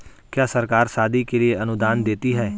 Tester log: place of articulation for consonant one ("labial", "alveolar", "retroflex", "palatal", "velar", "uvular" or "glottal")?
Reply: velar